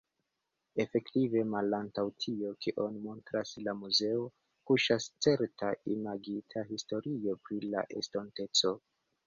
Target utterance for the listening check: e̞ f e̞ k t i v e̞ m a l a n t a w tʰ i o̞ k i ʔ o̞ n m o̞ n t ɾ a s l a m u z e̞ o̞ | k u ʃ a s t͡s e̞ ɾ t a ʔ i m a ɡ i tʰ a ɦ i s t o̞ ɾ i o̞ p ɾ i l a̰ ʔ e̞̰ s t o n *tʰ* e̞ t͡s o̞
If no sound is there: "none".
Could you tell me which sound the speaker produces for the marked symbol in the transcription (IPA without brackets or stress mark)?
t